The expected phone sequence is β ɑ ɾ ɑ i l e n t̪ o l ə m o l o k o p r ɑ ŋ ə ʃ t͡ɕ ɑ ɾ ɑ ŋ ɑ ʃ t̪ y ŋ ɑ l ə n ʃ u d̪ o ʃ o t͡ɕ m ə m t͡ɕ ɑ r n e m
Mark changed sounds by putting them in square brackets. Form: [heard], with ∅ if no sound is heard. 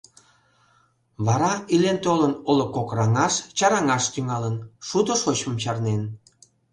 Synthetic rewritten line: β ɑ ɾ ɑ i l e n t̪ o l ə [n] o l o k o [k] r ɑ ŋ [ɑ] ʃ t͡ɕ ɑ ɾ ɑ ŋ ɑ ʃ t̪ y ŋ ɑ l ə n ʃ u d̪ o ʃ o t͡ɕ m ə m t͡ɕ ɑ r n e [n]